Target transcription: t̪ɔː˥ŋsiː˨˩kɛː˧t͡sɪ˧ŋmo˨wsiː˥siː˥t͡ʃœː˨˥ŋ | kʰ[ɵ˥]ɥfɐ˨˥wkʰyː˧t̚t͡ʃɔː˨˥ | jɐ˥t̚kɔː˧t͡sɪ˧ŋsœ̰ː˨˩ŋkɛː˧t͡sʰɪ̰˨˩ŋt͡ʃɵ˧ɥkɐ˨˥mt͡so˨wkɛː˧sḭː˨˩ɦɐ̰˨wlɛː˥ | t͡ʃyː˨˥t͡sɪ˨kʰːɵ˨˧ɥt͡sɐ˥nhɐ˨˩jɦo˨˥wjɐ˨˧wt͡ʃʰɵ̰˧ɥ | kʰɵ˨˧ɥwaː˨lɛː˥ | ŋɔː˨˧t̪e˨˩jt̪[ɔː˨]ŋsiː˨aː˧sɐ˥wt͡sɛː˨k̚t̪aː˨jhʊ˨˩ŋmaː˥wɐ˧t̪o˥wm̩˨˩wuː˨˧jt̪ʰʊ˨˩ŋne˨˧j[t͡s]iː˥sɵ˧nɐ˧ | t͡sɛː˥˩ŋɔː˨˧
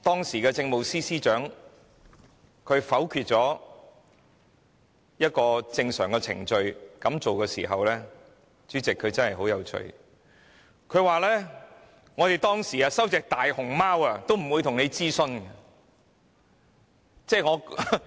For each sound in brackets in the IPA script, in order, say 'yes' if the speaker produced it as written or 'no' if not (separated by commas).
no, no, yes